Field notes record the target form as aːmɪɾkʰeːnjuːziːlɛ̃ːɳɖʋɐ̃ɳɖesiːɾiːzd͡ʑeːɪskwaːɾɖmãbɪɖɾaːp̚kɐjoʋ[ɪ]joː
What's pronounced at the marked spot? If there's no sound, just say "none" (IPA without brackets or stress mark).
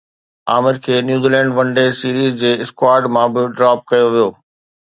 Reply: i